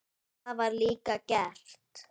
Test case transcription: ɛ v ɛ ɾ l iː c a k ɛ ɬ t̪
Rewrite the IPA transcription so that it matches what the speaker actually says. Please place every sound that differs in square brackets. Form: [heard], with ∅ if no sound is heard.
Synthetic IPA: [a] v [a] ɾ l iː [k] a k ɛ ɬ t̪